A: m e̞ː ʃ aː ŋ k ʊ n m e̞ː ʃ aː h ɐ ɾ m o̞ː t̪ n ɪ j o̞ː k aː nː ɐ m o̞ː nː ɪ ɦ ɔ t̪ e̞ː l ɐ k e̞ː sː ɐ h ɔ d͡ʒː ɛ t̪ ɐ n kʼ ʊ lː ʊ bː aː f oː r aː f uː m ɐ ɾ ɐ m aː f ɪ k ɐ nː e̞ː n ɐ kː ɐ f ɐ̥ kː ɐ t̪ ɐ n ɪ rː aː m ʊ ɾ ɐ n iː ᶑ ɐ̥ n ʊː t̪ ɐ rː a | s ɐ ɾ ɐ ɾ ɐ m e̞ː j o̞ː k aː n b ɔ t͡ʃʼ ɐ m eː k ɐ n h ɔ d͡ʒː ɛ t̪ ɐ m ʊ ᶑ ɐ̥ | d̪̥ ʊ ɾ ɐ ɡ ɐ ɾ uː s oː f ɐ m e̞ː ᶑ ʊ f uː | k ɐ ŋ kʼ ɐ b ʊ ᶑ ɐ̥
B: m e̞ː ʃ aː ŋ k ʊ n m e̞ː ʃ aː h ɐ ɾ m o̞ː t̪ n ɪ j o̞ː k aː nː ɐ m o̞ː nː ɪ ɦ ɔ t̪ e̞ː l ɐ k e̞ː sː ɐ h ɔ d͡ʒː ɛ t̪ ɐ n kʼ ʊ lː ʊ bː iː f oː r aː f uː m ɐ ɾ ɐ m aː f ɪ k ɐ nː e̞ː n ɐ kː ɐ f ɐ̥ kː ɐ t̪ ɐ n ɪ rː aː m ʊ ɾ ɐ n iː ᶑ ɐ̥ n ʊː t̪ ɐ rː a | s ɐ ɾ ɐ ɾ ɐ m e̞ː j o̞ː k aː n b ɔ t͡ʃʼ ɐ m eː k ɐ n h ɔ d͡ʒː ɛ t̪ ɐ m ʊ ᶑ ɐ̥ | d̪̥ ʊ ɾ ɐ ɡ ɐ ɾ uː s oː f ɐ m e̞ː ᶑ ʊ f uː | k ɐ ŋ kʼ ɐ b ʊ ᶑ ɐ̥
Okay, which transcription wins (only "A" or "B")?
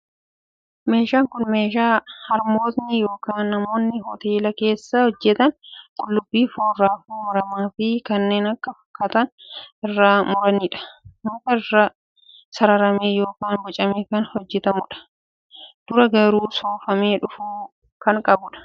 B